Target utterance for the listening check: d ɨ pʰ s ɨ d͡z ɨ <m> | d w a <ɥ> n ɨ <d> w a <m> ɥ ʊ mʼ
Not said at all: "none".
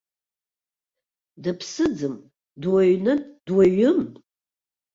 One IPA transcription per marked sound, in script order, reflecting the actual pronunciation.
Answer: m, ɥ, d, none

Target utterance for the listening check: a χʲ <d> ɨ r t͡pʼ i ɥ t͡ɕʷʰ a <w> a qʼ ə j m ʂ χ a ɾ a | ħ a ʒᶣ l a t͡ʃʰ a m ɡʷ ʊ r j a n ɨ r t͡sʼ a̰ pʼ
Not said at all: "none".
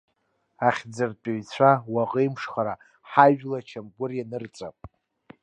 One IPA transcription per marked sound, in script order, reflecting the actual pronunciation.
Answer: d͡z, w

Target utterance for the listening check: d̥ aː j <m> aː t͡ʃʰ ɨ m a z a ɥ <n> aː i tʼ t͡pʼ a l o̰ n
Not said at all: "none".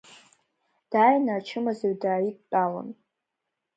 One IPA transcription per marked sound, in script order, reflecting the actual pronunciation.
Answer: n, d

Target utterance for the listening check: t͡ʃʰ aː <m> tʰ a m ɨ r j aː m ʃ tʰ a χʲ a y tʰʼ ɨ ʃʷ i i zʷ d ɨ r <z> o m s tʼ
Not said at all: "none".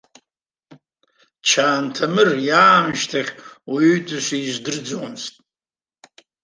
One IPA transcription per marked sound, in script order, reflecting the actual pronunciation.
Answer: n, d͡z

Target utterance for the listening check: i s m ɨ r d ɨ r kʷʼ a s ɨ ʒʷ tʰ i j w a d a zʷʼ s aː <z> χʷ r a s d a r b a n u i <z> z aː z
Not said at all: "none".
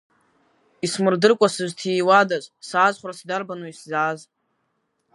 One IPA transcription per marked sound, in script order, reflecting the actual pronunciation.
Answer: z, s

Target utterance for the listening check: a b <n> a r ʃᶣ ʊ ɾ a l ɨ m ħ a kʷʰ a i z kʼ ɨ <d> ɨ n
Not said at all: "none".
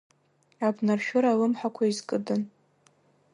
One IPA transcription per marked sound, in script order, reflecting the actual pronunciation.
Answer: n, d

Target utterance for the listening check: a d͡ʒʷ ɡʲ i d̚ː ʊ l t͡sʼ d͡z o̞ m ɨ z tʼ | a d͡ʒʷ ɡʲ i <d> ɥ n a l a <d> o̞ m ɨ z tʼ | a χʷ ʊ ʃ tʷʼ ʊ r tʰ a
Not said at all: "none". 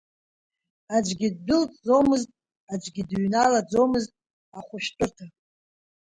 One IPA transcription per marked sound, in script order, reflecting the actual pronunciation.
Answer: d, d͡z

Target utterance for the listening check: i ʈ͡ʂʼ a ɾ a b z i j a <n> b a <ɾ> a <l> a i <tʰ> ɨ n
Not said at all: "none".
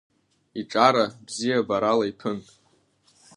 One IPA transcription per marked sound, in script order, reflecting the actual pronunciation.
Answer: none, ɾ, l, pʰ

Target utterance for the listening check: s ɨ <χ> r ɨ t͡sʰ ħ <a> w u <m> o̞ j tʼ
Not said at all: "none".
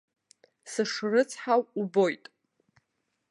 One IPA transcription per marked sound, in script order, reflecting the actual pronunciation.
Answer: ʂ, a, b

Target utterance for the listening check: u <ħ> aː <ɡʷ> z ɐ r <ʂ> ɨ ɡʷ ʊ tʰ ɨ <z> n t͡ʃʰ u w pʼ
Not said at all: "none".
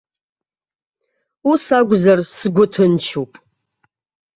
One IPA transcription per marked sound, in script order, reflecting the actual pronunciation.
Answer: s, ɡʷ, s, none

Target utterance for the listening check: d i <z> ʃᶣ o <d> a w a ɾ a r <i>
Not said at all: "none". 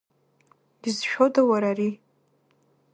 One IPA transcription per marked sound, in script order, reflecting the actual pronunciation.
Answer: z, d, i

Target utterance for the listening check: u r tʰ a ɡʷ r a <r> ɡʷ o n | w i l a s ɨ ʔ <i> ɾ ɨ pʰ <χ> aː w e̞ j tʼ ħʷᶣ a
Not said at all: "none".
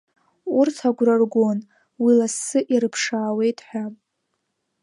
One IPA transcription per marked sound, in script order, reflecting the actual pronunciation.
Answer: r, i, ʂ

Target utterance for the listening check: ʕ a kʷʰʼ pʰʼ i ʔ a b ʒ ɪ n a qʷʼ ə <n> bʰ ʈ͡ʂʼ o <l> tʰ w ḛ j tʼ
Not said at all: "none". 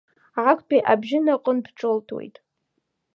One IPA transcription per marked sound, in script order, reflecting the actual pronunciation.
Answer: n, l

